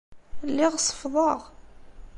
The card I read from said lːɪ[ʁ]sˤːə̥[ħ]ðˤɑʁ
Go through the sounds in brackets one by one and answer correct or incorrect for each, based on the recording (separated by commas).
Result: correct, incorrect